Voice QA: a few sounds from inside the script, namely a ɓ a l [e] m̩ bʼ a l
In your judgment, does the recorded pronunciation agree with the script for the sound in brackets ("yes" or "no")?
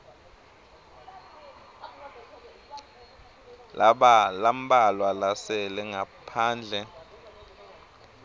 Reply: no